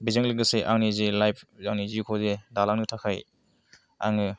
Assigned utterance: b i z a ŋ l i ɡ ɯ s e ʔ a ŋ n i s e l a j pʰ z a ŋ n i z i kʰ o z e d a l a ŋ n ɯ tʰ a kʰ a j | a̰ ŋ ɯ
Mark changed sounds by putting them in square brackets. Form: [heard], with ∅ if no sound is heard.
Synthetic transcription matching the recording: b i z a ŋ l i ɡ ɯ s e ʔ a ŋ n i [z] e l a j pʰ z a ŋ n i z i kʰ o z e d a l a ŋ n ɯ tʰ a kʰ a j | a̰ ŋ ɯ